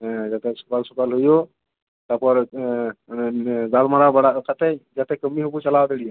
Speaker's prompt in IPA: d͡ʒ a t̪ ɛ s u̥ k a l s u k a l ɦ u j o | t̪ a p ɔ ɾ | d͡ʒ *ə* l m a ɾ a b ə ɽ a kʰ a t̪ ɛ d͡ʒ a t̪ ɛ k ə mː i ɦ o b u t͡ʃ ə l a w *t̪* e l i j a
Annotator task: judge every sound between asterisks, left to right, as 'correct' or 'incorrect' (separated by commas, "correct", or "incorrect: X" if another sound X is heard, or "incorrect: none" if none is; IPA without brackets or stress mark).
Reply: incorrect: a, incorrect: d̪